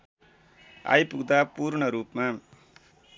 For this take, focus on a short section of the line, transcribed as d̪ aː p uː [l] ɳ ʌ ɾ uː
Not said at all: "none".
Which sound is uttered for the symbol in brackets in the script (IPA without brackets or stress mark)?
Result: ɾ